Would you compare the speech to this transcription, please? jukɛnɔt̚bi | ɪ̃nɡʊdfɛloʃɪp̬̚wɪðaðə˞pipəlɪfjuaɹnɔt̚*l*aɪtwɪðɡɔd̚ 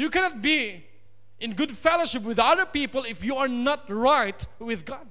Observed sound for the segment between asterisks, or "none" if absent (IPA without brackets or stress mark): ɹ